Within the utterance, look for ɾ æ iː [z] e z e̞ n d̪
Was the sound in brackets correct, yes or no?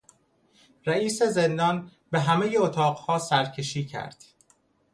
no